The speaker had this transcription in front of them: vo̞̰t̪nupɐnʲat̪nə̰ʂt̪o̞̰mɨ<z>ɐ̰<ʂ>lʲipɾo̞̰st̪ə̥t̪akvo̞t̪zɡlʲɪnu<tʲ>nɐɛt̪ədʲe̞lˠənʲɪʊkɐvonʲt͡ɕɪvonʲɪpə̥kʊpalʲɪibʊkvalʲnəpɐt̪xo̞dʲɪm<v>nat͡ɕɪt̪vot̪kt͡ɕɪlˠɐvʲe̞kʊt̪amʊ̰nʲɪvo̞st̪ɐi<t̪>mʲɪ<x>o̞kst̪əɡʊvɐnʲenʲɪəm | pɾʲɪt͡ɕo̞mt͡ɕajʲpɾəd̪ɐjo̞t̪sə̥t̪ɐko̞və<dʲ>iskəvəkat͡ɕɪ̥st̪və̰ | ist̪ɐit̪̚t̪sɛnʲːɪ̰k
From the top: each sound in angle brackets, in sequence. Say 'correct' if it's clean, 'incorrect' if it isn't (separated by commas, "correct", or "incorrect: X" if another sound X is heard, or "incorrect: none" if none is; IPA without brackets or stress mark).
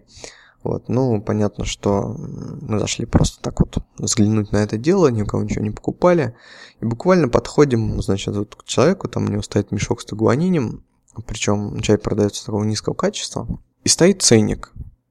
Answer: correct, correct, correct, incorrect: z, correct, incorrect: ʂ, incorrect: nʲ